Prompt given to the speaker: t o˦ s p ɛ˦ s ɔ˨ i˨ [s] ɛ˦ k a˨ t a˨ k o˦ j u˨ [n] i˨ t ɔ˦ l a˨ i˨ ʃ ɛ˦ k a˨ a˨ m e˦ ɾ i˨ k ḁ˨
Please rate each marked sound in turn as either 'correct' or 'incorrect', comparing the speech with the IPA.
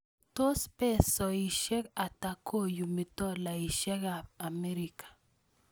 incorrect: ʃ, incorrect: m

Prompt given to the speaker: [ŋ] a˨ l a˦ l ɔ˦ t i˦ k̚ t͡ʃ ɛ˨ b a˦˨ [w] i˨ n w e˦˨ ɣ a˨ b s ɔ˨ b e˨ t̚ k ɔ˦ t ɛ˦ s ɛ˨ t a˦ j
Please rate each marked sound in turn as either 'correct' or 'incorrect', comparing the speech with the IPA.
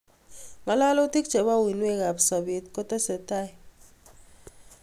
incorrect: m, correct

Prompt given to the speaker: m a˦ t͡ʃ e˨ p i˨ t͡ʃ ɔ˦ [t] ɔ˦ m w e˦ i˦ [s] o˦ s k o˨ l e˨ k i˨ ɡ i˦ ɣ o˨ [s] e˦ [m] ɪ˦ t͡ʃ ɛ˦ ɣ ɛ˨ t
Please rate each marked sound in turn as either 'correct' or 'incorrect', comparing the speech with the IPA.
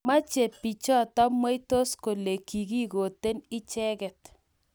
correct, incorrect: t, incorrect: t, incorrect: n

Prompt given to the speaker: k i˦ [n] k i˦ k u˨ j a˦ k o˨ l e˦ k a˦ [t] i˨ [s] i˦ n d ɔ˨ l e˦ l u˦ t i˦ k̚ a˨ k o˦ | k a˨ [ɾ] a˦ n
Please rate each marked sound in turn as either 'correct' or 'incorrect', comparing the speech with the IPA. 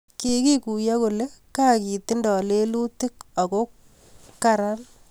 incorrect: none, incorrect: k, incorrect: t, correct

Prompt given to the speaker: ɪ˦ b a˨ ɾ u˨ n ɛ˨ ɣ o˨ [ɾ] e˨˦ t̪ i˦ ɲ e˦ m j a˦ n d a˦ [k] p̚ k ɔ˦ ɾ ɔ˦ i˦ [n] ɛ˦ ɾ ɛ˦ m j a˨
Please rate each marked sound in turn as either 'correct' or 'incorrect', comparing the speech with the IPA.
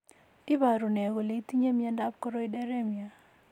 incorrect: l, incorrect: none, incorrect: d

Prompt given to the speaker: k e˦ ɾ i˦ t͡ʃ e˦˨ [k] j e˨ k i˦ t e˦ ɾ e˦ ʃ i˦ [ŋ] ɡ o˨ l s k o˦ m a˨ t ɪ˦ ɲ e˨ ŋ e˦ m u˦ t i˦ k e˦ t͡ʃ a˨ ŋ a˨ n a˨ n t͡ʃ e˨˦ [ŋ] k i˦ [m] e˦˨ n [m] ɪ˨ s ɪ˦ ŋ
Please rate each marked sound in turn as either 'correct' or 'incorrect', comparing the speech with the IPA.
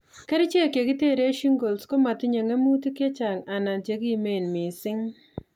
correct, correct, incorrect: none, correct, correct

